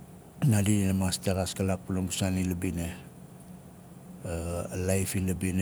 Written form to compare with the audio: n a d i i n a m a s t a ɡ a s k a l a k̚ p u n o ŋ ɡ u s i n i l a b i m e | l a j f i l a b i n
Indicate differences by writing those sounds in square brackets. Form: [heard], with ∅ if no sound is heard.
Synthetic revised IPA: n a d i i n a m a s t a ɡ a s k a l a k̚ p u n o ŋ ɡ u s [a] n i l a b i [n] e | l a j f i l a b i n